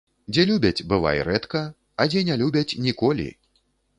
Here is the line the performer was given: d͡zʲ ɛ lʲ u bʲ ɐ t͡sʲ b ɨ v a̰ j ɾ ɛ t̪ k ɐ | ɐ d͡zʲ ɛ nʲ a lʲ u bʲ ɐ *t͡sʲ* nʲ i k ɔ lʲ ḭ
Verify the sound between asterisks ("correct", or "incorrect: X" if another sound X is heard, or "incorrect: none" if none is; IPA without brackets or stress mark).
correct